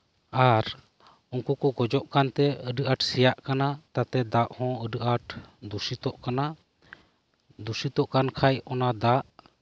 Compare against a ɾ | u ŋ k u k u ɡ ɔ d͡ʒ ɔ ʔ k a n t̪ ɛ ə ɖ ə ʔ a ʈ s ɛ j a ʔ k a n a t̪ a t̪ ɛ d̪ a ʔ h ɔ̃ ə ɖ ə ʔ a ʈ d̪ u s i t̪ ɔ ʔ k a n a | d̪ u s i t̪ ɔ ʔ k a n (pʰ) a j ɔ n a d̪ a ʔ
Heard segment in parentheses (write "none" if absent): kʰ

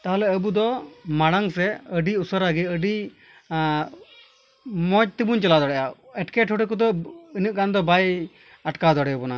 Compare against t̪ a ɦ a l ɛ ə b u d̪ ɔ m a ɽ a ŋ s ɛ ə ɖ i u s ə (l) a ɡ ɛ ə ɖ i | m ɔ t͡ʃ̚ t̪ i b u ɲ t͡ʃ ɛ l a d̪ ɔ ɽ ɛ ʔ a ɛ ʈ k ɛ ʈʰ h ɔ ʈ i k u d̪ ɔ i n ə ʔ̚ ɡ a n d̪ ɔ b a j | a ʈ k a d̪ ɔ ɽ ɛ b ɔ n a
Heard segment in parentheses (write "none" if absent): ɾ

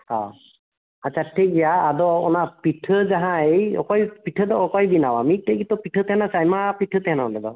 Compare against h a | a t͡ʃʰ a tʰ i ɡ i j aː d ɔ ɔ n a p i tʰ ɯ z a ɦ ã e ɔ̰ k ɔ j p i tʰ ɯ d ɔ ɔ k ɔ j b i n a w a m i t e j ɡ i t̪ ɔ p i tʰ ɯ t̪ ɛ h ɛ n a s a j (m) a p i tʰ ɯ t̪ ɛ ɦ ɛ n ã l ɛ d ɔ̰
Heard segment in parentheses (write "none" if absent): m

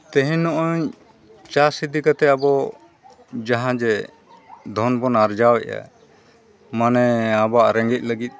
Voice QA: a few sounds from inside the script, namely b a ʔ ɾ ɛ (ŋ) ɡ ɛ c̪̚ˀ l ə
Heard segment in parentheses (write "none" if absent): ŋ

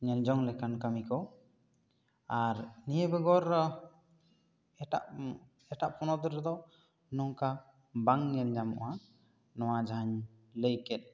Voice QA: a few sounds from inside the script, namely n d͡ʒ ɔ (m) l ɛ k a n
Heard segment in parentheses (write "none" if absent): ŋ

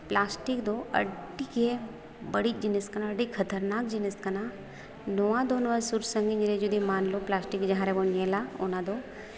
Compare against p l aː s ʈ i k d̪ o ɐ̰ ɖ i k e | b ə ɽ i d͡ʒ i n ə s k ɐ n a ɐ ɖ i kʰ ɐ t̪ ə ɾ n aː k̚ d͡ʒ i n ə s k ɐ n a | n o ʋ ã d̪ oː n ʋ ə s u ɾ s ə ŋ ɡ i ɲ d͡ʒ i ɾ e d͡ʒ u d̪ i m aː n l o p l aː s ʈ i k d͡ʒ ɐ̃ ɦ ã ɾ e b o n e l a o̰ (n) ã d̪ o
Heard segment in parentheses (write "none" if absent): n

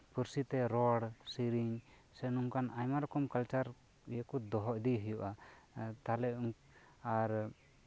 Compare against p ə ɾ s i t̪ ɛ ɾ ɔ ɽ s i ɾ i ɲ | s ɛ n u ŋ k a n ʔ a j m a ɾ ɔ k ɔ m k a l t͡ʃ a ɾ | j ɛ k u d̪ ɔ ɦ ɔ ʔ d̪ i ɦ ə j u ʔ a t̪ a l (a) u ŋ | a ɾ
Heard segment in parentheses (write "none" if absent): ɛ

